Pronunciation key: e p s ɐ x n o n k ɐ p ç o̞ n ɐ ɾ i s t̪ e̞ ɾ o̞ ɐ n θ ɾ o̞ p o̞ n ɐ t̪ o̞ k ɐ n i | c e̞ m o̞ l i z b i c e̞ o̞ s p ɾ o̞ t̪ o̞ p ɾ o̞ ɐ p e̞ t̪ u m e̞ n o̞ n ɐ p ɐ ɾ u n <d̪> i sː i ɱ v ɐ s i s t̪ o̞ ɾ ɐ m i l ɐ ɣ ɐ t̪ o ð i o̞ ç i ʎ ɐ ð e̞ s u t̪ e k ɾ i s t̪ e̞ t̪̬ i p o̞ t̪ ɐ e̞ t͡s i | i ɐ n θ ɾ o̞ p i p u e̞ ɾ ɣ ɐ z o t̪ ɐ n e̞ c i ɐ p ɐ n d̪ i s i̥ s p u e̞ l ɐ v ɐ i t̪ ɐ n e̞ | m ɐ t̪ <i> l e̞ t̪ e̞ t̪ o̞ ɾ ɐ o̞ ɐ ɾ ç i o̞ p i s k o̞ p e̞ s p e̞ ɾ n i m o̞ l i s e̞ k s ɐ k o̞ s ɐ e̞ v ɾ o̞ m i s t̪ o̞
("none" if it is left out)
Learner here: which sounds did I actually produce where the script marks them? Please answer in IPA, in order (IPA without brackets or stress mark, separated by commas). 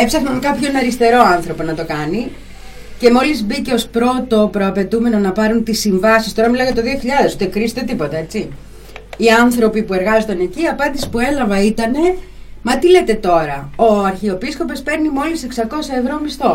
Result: t̪, i